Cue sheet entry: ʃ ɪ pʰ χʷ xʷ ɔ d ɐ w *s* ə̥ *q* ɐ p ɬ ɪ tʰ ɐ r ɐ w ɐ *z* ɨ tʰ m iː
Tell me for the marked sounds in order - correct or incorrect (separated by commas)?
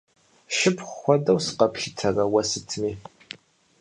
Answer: correct, correct, incorrect